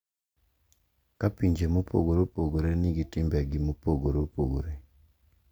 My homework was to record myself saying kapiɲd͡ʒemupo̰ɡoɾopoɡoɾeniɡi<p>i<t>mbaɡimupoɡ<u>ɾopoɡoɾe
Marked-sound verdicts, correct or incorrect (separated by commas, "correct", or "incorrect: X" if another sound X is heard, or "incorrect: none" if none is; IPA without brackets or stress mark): incorrect: t, incorrect: none, incorrect: o